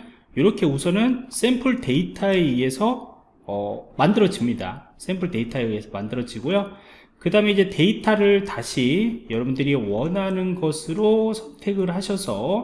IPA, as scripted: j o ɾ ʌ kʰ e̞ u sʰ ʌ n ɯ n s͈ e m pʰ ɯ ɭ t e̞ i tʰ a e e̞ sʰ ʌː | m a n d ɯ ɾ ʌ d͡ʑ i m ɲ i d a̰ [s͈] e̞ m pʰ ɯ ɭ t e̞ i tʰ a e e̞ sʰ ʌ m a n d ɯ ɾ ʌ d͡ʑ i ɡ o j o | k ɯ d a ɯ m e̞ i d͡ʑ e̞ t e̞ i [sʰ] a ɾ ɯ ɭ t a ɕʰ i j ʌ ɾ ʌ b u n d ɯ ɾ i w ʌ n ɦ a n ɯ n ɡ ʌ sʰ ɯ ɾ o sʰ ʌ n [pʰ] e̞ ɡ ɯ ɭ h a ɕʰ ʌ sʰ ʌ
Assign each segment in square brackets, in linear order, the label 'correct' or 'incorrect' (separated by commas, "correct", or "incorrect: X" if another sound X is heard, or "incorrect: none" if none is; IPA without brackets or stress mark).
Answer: correct, incorrect: tʰ, incorrect: tʰ